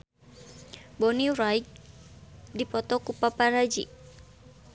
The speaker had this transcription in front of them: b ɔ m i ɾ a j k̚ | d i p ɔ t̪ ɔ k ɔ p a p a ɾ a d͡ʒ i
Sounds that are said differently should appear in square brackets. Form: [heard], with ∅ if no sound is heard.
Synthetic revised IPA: b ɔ [n] i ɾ a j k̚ | d i p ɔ t̪ ɔ k [u] p a p a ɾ a d͡ʒ i